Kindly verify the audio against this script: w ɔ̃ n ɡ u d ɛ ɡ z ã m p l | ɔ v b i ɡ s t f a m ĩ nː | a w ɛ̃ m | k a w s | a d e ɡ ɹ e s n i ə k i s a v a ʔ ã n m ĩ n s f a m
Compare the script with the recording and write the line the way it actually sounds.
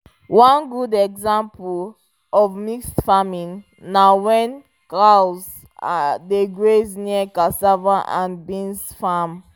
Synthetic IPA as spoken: w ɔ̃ n ɡ u d ɛ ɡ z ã m p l | ɔ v m i k s t f a m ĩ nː | a w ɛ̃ n | k a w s | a d e ɡ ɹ e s n i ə k a s a v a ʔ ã n b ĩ n s f a m